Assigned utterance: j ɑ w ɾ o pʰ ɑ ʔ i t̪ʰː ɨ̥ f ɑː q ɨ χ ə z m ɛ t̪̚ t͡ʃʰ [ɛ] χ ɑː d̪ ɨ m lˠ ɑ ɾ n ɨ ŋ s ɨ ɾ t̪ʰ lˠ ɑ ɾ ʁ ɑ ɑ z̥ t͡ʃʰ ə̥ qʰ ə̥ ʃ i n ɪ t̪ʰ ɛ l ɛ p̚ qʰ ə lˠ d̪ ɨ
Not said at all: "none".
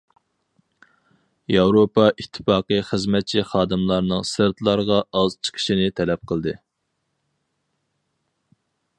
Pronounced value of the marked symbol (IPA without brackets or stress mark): i